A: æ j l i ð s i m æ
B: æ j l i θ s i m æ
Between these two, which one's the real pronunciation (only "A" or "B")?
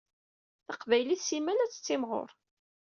B